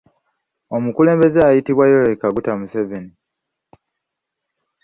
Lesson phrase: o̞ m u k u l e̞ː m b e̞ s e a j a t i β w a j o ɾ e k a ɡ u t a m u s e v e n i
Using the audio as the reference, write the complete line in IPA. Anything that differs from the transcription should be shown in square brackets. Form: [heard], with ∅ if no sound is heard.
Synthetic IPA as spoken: o̞ m u k u l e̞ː m b e̞ [z] e a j [i] t i β w a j o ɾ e k a ɡ u t a m u s e v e n i